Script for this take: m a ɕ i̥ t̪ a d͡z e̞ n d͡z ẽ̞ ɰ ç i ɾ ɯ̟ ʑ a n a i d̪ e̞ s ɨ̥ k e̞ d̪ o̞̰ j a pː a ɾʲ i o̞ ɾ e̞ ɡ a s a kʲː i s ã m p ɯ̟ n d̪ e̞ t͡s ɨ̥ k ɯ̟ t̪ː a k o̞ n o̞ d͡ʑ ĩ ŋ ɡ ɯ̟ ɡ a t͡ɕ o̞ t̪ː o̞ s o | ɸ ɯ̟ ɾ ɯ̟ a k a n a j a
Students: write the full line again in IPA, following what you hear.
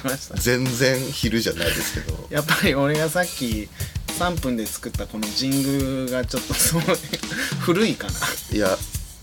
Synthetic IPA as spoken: m a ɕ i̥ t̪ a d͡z ẽ̞ n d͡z ẽ̞ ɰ ç i ɾ ɯ̟ ʑ a n a i d̪ e̞ s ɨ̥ k e̞ d̪ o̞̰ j a pː a ɾʲ i o̞ ɾ e̞ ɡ a s a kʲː i s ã m p ɯ̟̃ n d̪ e̞ t͡s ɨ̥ k ɯ̟ t̪ː a k o̞ n o̞ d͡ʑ ĩ ŋ ɡ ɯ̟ ɡ a t͡ɕ o̞ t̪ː o̞ s o | ɸ ɯ̟ ɾ ɯ̟ i k a n a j a